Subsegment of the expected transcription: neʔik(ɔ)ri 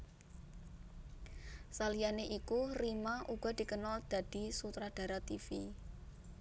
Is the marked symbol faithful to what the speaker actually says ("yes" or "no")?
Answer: no